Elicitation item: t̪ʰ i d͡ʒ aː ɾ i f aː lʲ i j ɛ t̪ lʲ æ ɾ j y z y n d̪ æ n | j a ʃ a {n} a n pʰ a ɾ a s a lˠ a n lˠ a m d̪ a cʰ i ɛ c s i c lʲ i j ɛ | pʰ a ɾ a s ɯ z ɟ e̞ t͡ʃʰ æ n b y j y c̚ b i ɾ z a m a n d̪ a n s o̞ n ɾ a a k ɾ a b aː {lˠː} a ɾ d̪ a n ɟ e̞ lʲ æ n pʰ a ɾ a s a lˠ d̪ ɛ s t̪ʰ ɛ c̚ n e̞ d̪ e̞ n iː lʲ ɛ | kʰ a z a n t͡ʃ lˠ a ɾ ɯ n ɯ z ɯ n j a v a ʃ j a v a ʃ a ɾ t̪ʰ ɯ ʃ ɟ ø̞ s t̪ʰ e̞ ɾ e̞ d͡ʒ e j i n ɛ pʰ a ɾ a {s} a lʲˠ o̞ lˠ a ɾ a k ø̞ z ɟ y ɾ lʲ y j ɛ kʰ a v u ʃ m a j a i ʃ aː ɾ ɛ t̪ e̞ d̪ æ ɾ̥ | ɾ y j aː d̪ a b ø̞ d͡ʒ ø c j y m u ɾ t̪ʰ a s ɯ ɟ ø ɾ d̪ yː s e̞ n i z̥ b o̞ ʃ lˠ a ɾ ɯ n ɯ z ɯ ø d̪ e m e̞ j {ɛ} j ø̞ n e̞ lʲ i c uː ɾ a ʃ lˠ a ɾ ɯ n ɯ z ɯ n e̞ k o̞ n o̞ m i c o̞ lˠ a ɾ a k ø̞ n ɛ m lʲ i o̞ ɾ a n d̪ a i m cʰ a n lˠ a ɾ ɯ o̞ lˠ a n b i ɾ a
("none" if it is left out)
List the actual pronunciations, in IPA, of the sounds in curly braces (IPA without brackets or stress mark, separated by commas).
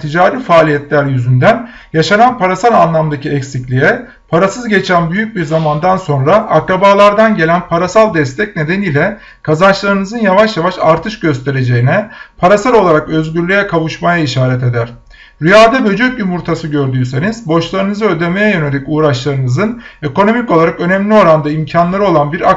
n, lˠ, s, ɛ